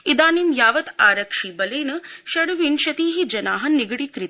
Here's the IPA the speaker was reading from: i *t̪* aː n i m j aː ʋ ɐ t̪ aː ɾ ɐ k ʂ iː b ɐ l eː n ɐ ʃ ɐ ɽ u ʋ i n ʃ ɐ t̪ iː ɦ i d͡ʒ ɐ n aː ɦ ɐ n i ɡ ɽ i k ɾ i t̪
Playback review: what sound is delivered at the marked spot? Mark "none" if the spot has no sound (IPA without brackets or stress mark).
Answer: d̪